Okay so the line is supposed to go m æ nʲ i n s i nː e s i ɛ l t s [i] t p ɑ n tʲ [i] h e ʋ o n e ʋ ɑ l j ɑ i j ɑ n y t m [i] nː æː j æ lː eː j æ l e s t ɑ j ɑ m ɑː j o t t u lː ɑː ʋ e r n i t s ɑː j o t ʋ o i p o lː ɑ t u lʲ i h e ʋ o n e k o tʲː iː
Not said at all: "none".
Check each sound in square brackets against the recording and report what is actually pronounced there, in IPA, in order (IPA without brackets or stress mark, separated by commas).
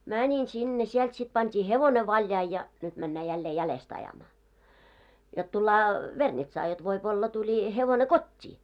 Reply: i, iː, æ